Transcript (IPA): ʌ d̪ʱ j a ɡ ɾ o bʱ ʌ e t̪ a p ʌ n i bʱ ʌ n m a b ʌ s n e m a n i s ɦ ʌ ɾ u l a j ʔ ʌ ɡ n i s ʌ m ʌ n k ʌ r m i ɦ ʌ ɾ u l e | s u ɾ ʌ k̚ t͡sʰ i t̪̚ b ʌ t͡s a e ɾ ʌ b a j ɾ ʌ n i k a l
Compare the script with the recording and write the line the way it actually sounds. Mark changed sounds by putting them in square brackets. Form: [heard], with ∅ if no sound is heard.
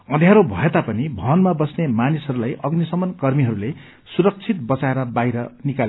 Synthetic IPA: ʌ d̪ʱ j a [∅] ɾ o bʱ ʌ e t̪ a p ʌ n i bʱ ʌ n m a b ʌ s n e m a n i s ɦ ʌ ɾ u l a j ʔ ʌ ɡ n i s ʌ m ʌ n k ʌ r m i ɦ ʌ ɾ u l e | s u ɾ ʌ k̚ t͡sʰ i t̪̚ b ʌ t͡s a e ɾ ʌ b a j ɾ ʌ n i k a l